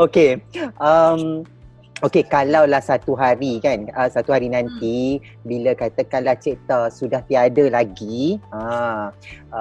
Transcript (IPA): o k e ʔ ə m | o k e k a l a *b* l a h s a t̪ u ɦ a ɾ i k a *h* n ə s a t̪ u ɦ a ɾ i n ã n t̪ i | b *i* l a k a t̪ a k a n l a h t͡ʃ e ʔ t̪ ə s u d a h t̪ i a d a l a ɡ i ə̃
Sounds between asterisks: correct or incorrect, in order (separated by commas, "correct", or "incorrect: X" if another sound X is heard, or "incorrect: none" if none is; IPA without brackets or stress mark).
incorrect: w, incorrect: none, correct